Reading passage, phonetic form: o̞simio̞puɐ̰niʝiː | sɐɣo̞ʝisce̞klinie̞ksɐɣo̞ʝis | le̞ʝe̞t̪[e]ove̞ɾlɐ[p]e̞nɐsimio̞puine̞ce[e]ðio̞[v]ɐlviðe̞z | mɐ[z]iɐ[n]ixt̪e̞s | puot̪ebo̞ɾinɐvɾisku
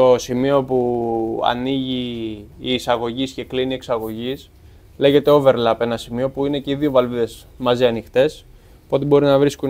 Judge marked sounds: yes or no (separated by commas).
yes, yes, no, yes, yes, yes